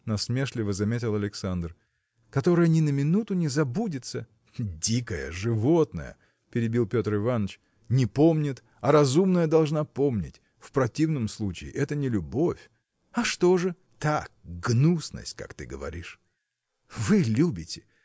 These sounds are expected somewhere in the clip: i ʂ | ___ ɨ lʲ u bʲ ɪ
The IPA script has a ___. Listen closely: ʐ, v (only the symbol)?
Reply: v